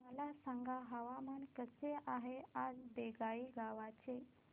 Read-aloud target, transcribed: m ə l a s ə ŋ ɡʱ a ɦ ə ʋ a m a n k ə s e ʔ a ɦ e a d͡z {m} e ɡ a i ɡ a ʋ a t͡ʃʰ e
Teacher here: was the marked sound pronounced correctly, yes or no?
no